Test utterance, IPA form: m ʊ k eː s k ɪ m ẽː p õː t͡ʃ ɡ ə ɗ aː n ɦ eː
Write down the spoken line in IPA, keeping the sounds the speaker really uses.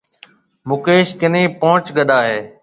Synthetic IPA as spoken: m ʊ k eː ʃ k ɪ n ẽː p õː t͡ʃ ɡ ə ɗ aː ɦ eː